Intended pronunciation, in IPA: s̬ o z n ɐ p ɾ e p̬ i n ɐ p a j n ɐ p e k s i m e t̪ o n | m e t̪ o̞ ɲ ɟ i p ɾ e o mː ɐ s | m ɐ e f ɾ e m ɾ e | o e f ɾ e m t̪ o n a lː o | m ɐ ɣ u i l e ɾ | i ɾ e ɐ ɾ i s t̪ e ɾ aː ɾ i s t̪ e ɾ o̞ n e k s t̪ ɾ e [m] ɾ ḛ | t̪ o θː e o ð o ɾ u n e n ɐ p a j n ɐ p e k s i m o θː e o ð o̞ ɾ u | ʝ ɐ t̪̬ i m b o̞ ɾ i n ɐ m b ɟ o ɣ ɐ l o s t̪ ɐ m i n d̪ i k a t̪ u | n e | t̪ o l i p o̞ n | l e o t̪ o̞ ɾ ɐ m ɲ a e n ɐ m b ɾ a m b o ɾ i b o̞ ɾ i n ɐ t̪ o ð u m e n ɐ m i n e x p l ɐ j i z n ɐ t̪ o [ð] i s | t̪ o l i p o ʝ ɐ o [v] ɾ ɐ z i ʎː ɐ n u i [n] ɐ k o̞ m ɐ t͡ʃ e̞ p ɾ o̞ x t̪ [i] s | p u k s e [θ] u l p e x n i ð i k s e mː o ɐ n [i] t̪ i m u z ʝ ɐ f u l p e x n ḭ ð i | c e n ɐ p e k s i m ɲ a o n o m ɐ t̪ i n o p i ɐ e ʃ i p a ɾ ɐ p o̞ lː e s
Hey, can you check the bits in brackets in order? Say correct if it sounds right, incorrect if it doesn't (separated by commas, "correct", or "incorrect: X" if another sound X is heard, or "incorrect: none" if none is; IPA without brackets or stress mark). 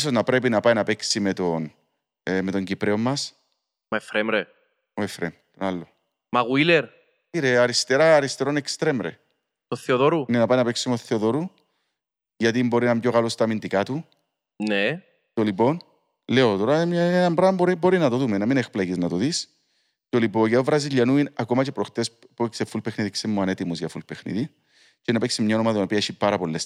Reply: correct, correct, correct, correct, incorrect: e, incorrect: f, incorrect: e